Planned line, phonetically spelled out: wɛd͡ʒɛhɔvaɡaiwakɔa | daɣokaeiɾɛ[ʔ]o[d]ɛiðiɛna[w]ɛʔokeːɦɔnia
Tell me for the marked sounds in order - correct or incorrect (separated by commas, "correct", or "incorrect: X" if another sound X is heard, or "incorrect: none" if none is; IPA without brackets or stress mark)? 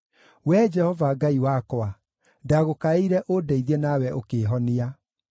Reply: correct, correct, correct